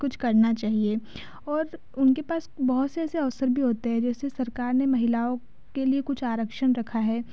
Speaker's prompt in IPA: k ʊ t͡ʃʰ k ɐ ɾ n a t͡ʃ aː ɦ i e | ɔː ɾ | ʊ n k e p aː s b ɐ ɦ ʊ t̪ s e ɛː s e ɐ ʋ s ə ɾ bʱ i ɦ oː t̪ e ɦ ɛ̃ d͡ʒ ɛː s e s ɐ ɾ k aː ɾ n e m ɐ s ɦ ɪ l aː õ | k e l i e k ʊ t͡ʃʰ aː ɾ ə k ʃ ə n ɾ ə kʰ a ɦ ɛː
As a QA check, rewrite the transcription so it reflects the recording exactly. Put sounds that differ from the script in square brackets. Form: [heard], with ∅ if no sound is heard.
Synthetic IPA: k ʊ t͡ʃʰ k ɐ ɾ n a t͡ʃ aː ɦ i e | ɔː ɾ | ʊ n k e p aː s b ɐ ɦ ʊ t̪ s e ɛː s e ɐ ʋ s ə ɾ bʱ i ɦ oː t̪ e ɦ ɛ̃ d͡ʒ ɛː s e s ɐ ɾ k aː ɾ n e m ɐ [∅] ɦ ɪ l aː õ | k e l i e k ʊ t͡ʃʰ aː ɾ ə k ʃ ə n ɾ [ɐ] kʰ a ɦ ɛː